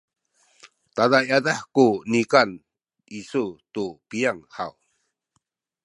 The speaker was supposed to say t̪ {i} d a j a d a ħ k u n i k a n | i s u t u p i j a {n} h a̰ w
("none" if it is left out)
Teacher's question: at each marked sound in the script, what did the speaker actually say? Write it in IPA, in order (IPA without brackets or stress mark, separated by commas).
a, ŋ